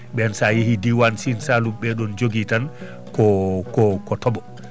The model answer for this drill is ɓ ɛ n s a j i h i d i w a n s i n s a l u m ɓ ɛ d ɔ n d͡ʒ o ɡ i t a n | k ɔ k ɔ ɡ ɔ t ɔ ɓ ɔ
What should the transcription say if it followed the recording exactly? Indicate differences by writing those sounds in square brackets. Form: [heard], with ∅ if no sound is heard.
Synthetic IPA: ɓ ɛ n s a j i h i d i w a n s i n s a l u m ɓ ɛ [ɗ] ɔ n d͡ʒ o ɡ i t a n | k ɔ k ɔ [k] ɔ t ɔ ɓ ɔ